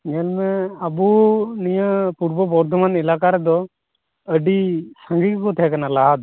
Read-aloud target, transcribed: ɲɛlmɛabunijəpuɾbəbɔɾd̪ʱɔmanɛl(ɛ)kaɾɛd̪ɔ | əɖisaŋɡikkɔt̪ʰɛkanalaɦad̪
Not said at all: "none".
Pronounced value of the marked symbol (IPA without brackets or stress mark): a